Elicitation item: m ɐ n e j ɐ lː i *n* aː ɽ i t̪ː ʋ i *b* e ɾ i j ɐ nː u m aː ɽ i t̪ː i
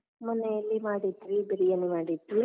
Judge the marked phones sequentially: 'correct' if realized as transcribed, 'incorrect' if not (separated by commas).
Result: incorrect, correct